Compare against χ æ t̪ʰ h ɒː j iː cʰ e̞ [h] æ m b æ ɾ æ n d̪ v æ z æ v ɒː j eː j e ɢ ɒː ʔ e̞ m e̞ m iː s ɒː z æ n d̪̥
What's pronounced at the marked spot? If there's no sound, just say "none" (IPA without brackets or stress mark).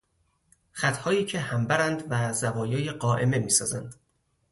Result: h